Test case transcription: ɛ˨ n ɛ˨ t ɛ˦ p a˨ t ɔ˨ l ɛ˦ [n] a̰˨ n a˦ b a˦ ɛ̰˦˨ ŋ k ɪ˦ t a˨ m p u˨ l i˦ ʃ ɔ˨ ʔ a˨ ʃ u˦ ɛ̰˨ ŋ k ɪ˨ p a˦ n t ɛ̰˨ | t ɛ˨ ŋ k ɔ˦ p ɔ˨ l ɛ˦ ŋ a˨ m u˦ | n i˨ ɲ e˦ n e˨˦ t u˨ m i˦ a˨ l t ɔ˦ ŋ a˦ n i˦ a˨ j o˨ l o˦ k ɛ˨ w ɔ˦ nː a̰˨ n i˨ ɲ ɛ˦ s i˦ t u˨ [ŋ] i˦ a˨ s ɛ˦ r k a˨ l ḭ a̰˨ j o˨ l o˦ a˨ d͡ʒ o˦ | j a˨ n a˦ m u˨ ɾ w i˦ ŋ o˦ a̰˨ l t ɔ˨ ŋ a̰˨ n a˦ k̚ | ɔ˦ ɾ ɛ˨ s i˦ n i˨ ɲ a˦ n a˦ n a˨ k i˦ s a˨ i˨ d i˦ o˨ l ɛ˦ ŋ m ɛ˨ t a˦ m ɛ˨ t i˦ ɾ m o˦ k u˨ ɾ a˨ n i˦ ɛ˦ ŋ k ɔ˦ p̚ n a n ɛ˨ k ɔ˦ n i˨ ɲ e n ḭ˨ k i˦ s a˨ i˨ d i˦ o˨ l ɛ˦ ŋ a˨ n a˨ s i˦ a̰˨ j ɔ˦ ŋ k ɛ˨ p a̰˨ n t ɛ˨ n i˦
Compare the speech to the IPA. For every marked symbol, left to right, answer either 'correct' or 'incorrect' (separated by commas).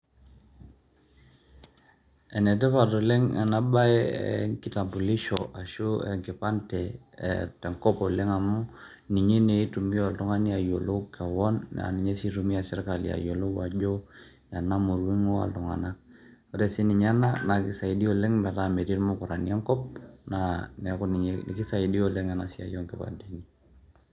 incorrect, incorrect